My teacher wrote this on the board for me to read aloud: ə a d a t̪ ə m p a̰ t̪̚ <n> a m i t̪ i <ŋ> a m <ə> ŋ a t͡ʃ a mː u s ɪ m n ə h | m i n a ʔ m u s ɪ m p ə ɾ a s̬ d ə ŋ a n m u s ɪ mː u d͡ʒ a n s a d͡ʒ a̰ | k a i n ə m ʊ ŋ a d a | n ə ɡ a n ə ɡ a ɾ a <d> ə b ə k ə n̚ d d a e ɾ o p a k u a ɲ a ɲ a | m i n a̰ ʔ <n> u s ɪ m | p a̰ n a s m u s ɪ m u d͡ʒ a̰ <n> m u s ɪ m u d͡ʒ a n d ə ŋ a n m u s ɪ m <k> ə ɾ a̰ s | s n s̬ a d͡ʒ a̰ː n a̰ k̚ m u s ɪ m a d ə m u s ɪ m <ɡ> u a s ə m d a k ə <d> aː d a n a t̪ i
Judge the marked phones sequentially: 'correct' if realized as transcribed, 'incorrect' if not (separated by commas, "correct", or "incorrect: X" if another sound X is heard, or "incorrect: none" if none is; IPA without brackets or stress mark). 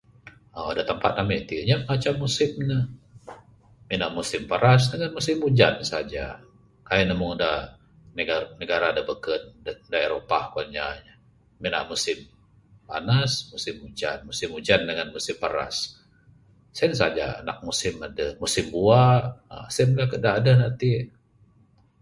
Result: correct, incorrect: ɲ, correct, correct, incorrect: m, correct, incorrect: p, incorrect: b, correct